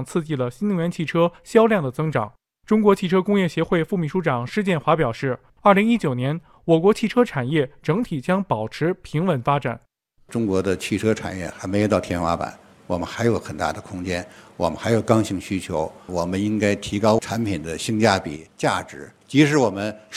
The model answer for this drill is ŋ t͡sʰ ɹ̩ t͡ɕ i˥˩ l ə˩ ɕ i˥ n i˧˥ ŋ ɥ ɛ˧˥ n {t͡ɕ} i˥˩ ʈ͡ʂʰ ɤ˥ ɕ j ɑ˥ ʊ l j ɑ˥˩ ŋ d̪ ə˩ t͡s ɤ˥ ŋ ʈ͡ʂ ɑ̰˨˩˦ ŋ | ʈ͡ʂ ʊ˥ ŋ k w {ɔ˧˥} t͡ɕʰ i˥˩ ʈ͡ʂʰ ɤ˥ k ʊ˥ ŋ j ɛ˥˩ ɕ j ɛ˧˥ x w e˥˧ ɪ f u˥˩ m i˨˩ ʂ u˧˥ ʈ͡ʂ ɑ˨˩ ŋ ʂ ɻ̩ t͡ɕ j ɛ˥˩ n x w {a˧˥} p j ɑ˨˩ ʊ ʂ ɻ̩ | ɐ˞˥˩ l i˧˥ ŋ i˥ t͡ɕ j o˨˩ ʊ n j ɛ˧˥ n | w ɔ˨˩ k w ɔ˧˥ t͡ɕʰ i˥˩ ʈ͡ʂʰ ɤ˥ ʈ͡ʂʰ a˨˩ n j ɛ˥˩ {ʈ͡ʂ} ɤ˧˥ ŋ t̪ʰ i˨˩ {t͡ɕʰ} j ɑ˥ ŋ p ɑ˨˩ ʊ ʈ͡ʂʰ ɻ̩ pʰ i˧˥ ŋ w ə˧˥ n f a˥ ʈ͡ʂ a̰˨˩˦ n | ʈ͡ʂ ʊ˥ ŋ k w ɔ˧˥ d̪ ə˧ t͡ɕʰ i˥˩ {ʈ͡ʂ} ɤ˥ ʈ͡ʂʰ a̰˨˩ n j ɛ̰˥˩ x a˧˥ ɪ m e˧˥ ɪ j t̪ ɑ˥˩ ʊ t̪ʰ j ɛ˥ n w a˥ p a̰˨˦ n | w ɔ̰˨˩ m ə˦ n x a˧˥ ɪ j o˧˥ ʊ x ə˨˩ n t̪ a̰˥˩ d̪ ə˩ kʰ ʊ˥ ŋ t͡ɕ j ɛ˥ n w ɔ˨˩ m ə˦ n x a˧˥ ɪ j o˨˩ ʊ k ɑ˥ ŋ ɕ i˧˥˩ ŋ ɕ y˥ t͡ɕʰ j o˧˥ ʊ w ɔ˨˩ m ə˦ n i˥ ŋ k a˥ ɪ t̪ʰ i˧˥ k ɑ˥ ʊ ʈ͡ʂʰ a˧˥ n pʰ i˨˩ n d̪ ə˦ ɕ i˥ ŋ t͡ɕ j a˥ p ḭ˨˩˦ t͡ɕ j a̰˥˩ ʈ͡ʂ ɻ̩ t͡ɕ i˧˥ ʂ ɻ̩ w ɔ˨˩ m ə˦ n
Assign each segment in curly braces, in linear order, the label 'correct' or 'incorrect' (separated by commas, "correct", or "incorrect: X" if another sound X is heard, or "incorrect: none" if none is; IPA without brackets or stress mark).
incorrect: t͡ɕʰ, correct, correct, correct, incorrect: t͡ɕ, incorrect: ʈ͡ʂʰ